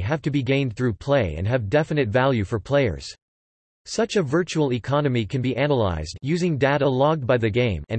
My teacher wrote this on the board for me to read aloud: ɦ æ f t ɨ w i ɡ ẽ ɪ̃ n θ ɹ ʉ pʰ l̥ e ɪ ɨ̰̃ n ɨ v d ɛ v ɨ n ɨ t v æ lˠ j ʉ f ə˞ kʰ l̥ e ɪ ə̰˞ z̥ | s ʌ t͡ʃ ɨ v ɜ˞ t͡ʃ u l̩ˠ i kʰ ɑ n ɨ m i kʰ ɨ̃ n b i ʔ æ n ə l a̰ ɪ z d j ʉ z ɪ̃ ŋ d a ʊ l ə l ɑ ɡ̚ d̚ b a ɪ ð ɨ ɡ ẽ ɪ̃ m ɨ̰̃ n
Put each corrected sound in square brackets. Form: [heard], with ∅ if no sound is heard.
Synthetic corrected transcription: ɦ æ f t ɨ [b] i ɡ ẽ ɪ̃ n θ ɹ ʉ pʰ l̥ e ɪ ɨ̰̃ n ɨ v d ɛ [f] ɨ n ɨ t v æ lˠ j ʉ f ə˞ [pʰ] l̥ e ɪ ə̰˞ z̥ | s ʌ t͡ʃ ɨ v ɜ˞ t͡ʃ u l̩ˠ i kʰ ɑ n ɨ m i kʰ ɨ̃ n b i ʔ æ n ə l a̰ ɪ z d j ʉ z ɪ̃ ŋ d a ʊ [ɾ] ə l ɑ ɡ̚ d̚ b a ɪ ð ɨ ɡ ẽ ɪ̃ m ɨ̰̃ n